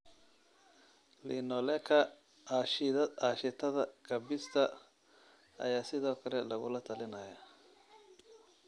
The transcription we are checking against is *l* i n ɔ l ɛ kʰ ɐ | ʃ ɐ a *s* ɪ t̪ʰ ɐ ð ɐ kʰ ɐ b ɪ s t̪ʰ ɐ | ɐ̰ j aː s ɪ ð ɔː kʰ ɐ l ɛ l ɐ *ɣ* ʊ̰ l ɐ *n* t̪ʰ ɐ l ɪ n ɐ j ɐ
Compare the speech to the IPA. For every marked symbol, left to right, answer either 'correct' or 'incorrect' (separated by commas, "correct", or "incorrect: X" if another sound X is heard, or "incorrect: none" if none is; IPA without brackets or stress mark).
correct, incorrect: ʃ, correct, incorrect: none